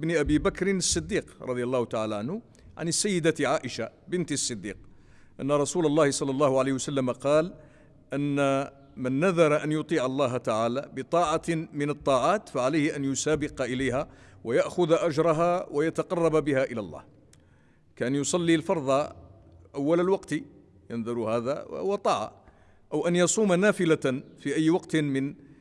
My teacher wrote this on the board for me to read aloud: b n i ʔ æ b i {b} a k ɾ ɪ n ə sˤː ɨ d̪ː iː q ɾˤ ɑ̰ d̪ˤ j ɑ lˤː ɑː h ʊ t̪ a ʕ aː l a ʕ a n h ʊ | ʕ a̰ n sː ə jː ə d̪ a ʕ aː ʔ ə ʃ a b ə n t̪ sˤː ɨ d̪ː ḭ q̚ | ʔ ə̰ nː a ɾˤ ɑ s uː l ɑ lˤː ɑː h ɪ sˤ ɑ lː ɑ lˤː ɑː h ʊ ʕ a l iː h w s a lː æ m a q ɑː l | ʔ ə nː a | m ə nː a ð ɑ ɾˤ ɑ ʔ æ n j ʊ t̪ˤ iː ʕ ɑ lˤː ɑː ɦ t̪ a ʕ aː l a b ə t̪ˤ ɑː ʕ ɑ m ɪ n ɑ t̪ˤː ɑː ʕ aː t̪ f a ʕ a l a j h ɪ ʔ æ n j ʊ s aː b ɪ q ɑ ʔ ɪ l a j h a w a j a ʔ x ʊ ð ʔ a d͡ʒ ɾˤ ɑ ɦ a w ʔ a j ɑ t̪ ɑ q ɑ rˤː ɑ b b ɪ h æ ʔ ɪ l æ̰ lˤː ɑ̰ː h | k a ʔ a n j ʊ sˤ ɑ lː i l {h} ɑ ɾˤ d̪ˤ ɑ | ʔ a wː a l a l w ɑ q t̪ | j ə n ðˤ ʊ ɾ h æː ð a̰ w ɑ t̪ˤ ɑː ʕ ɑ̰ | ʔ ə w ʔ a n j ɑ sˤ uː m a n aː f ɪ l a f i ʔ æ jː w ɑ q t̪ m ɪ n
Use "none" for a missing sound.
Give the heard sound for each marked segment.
b, f

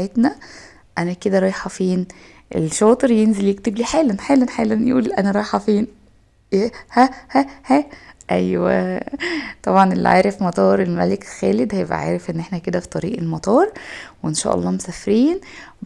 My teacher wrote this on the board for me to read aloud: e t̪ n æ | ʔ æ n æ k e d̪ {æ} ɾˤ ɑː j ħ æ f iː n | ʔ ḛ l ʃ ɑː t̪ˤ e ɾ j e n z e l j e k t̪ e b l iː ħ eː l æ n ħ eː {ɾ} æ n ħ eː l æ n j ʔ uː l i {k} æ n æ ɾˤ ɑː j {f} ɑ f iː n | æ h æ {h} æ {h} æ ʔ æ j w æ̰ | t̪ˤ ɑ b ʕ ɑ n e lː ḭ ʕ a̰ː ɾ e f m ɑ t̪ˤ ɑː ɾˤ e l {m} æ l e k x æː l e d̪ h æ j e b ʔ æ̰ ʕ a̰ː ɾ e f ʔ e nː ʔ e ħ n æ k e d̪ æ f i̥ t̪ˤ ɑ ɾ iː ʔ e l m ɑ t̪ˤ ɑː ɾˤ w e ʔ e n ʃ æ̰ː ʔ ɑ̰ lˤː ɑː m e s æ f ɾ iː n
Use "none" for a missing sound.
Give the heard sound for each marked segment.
æ, l, ʔ, ħ, h, h, m

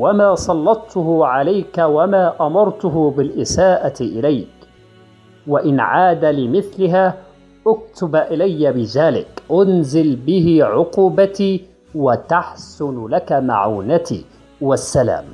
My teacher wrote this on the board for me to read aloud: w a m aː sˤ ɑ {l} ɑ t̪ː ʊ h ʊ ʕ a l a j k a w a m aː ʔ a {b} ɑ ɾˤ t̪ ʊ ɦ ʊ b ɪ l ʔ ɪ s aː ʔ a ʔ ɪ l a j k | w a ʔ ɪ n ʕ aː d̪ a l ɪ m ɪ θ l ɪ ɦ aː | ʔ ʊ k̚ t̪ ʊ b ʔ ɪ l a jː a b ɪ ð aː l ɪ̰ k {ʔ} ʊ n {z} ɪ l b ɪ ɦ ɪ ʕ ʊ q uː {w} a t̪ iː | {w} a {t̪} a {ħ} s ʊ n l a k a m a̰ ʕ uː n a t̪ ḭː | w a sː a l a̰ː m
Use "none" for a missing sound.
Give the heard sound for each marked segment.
lː, m, ʔ, z, b, w, t̪, ħ

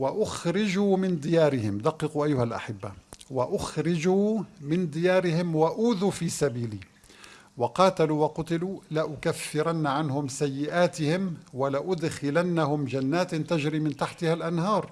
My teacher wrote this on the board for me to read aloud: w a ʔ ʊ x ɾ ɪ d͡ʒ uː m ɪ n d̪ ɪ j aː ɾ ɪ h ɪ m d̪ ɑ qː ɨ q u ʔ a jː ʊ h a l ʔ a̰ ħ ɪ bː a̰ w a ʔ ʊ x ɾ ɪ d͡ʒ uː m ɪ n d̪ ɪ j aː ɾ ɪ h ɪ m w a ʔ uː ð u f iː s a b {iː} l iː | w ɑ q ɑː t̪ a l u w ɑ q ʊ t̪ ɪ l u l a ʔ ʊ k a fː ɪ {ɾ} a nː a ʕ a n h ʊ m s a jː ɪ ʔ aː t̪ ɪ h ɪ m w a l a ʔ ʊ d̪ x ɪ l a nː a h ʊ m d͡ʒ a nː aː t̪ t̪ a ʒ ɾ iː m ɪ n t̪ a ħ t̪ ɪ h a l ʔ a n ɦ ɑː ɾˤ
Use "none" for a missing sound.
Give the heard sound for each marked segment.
iː, ɾ

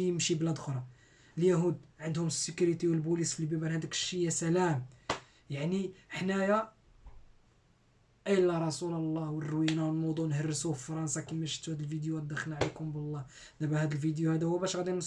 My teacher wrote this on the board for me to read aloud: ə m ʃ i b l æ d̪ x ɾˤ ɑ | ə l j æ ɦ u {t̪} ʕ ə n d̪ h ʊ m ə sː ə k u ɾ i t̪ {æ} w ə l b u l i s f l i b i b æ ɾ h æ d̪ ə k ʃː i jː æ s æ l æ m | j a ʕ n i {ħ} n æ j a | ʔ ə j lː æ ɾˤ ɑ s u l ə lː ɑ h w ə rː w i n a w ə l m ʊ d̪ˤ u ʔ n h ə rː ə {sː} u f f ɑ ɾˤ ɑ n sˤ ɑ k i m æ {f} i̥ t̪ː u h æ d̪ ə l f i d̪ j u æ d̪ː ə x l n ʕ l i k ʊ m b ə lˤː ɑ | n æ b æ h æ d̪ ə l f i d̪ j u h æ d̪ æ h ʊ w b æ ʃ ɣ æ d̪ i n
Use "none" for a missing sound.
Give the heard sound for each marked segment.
d̪, i, ħ, s, ʃ

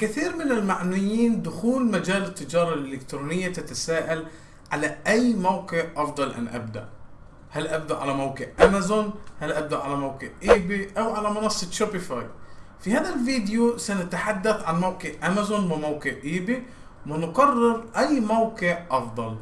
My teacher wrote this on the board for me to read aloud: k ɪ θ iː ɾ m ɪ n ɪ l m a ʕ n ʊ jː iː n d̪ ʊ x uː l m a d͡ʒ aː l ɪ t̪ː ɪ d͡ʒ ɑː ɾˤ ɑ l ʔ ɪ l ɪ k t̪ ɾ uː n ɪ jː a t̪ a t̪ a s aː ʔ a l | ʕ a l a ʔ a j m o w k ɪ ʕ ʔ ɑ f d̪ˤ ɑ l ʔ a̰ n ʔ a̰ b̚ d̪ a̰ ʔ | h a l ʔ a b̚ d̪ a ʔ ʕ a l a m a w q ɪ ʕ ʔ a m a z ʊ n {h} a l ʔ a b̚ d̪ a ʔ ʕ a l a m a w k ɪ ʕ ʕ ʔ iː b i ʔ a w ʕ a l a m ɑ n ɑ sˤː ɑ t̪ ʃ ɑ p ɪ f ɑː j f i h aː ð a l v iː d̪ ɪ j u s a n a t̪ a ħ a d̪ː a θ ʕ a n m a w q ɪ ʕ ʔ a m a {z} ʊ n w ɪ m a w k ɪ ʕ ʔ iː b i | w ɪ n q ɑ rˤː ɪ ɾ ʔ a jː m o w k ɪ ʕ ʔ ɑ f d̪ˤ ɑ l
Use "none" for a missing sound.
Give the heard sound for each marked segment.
h, z

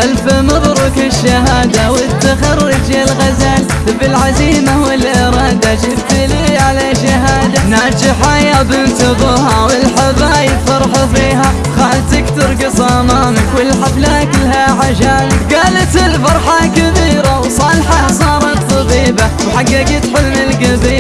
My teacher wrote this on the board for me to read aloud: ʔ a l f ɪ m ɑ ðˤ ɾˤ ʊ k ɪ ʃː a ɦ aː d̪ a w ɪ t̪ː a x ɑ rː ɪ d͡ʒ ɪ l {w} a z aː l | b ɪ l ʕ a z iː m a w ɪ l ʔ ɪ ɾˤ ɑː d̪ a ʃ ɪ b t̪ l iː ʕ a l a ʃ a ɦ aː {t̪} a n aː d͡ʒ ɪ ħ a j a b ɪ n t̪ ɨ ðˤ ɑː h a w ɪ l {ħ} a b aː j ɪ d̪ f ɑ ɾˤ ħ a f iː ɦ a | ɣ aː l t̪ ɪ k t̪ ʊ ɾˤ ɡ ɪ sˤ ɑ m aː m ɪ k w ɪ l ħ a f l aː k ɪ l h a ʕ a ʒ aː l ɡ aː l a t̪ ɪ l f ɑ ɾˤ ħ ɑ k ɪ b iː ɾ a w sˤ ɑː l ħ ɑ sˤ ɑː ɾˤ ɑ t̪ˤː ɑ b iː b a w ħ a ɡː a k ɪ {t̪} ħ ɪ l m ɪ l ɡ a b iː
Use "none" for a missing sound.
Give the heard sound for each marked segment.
ɣ, d̪, ħ, t̪

